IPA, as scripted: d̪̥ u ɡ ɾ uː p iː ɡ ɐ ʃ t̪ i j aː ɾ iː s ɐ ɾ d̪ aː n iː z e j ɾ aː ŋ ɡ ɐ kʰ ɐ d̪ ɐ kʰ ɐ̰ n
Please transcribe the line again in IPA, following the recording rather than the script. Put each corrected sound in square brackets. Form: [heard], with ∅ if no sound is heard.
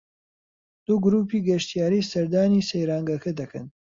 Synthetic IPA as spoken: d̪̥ u ɡ ɾ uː p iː ɡ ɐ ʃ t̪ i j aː ɾ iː s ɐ ɾ d̪ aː n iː [s] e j ɾ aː ŋ ɡ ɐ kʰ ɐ d̪ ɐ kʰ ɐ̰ n